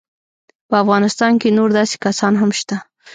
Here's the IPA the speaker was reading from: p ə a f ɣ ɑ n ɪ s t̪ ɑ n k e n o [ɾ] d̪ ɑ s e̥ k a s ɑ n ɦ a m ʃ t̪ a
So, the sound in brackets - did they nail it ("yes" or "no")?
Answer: yes